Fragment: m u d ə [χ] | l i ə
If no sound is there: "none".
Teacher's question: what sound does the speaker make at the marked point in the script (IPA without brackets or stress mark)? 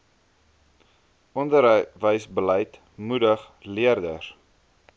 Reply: χ